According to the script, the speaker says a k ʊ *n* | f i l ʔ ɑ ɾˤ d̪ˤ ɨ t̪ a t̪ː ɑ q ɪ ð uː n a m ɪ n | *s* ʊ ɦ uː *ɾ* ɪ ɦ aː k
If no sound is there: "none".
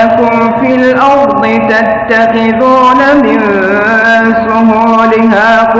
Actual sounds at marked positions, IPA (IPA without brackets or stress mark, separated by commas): m, s, l